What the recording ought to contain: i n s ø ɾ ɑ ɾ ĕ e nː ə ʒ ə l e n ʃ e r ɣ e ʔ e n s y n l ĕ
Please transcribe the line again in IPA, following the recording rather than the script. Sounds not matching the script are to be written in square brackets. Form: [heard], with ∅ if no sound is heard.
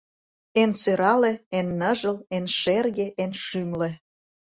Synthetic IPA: [e] n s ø ɾ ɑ [l] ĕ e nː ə ʒ ə l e n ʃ e r ɣ e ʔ e n [ʃ] y [m] l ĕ